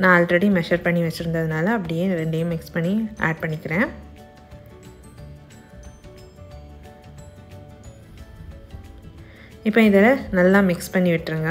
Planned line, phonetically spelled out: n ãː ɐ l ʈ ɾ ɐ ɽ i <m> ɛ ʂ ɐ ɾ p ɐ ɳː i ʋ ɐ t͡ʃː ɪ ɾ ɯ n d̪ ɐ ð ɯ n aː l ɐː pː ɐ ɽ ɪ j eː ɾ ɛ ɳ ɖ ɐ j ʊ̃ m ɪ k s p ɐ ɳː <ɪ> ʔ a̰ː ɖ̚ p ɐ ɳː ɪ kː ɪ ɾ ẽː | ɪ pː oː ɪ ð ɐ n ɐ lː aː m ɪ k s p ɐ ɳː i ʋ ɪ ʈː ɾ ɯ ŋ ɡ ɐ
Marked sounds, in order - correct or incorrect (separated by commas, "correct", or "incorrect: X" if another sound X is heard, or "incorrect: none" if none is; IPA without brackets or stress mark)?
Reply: correct, incorrect: i